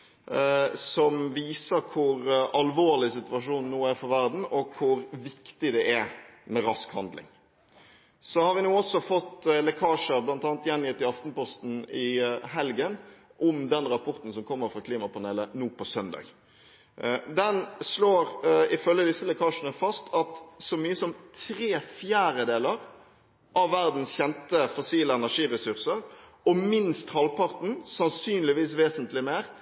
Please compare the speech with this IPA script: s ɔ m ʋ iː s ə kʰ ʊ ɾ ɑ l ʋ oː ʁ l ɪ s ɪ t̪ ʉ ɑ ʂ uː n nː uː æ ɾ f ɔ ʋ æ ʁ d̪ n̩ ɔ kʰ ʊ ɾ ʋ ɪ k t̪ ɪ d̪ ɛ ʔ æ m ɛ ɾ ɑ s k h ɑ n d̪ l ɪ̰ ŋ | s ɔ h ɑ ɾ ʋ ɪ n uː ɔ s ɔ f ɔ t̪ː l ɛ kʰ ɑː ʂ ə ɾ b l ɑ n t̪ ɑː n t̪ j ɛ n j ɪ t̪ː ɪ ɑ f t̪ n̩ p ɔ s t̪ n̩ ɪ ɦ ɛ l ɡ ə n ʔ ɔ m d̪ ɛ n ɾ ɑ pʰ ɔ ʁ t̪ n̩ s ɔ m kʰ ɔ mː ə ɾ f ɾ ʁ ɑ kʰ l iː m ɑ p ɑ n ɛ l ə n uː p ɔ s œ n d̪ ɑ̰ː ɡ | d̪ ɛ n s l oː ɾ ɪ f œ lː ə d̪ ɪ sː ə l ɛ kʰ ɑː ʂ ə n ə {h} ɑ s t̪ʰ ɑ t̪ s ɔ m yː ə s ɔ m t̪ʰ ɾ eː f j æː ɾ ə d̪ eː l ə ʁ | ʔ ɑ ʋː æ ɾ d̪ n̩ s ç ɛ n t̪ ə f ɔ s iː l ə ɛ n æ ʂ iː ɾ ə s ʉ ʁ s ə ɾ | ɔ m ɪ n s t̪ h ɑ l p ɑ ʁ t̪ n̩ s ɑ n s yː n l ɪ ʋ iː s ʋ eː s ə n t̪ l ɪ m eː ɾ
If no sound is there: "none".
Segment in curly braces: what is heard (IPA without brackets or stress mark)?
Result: f